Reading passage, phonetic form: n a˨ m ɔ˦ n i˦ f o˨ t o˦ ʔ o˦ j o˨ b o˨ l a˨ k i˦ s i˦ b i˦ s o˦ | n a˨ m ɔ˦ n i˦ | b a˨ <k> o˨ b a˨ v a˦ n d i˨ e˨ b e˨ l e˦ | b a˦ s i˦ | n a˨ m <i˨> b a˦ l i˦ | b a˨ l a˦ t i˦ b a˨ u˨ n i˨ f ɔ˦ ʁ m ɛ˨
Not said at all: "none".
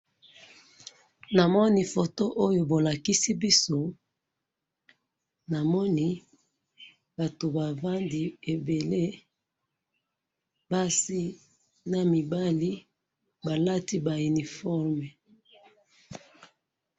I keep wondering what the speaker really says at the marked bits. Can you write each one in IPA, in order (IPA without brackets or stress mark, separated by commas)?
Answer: t, i˨